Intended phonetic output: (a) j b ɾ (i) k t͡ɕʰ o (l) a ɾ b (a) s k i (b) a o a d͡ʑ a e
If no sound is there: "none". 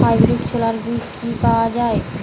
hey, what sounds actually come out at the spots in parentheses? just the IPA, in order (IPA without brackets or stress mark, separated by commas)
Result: a, i, l, i, p